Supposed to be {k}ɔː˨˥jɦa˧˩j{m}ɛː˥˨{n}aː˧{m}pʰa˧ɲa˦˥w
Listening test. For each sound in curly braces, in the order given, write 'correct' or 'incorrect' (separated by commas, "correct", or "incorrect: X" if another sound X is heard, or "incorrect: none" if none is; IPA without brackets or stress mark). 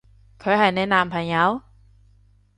incorrect: kʰ, incorrect: n, correct, correct